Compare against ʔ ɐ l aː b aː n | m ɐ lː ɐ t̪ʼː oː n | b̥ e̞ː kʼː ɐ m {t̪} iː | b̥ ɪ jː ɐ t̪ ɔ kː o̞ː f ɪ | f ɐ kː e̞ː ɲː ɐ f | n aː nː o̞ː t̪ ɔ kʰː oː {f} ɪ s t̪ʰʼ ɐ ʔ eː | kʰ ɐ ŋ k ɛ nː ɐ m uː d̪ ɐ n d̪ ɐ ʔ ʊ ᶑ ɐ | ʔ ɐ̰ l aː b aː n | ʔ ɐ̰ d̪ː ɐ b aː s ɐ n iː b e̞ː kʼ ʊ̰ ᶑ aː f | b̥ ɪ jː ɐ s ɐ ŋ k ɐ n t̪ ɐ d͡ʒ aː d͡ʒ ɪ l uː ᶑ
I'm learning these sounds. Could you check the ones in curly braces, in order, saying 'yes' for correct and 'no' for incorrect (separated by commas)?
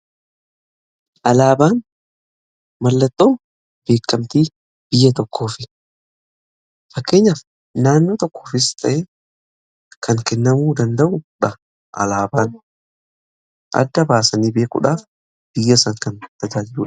yes, yes